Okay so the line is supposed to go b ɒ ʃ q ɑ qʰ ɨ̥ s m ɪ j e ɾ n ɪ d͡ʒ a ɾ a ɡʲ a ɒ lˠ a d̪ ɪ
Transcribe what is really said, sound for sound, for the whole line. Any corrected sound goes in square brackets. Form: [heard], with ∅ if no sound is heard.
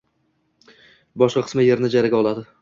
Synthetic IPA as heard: b ɒ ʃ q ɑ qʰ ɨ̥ s m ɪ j e ɾ n ɪ d͡ʒ a ɾ a ɡʲ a ɒ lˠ a d̪ ɪ